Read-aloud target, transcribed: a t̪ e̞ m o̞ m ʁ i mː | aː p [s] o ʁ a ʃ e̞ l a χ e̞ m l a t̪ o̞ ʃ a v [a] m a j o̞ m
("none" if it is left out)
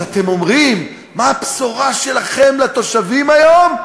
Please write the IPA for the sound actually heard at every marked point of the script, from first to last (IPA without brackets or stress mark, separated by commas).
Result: s, i